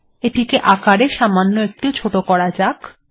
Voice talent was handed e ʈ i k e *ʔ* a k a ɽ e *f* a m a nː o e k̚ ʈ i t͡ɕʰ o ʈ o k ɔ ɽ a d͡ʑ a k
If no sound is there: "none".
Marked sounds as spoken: ʔ, ʃ

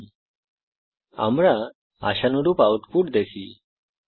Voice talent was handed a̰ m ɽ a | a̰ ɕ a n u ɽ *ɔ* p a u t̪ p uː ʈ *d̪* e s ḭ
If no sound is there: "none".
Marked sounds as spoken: u, d̪

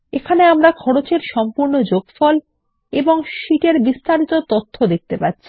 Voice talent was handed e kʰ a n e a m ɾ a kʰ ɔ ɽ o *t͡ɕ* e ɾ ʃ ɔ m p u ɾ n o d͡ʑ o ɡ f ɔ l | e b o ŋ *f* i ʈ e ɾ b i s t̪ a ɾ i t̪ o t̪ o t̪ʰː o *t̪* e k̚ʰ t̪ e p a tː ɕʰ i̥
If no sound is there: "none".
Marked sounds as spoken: t͡ɕ, ʃ, d̪

